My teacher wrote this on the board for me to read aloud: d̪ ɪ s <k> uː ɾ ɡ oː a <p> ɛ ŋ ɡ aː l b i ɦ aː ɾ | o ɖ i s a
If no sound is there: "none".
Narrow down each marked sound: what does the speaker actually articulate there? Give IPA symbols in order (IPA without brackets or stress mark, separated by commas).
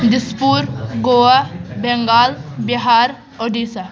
p, b